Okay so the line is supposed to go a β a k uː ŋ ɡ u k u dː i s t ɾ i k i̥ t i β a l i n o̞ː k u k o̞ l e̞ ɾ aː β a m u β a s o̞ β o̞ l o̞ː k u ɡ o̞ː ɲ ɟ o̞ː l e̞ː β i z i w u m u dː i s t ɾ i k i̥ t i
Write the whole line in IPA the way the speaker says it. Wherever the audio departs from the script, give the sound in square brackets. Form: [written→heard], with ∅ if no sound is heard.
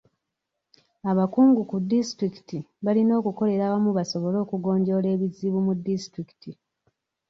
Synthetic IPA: a β a k uː ŋ ɡ u k u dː i s t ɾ i k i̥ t i β a l i n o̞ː k u k o̞ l e̞ ɾ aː β a m u β a s o̞ β o̞ l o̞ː k u ɡ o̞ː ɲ ɟ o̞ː l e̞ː β i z i [w→β] u m u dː i s t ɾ i k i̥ t i